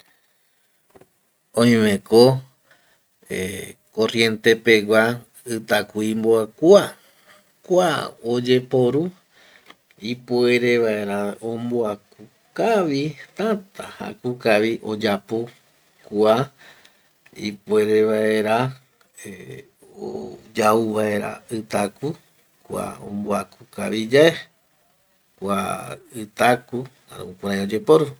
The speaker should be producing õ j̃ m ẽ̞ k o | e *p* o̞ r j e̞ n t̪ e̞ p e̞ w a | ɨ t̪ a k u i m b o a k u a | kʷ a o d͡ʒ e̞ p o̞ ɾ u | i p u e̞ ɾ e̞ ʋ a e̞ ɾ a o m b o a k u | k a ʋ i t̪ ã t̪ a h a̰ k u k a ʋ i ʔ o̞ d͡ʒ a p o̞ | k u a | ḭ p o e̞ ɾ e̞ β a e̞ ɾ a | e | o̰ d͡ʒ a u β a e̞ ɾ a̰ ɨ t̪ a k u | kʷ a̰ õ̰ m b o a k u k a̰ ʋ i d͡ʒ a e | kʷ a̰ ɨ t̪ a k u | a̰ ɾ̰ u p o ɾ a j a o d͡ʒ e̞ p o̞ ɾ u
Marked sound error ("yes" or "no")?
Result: yes